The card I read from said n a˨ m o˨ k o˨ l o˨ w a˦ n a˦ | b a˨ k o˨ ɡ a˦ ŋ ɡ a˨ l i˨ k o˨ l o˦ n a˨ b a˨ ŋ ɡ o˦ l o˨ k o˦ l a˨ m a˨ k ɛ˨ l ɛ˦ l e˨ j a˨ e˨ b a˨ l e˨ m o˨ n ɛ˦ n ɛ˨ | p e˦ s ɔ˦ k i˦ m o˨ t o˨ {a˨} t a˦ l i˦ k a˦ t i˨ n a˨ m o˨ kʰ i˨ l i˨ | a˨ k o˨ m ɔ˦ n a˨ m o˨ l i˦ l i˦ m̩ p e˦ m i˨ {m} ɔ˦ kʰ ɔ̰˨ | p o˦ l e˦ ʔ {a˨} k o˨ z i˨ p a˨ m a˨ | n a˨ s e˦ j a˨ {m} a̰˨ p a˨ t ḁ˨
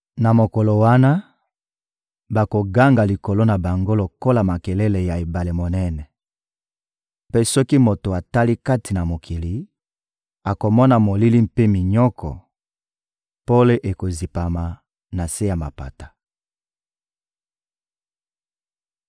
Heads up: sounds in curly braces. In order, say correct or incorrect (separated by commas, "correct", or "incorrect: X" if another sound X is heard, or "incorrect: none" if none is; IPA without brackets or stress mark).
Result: correct, incorrect: ɲ, incorrect: e˨, correct